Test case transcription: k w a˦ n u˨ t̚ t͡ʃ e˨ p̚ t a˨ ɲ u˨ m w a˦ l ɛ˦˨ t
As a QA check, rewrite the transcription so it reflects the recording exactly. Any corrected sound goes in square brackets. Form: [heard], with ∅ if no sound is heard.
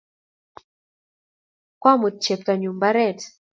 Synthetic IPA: k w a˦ [m] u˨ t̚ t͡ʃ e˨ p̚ t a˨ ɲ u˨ m [b] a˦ [ɾ] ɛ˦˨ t